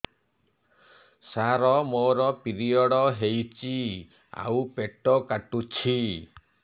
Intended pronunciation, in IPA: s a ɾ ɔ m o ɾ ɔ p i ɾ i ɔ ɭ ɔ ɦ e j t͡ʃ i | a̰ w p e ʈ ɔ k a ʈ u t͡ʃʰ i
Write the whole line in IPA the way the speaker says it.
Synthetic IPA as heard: s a ɾ ɔ m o ɾ ɔ p i ɾ i ɔ ɽ ɔ ɦ e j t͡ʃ i | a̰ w p e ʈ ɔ k a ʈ u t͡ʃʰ i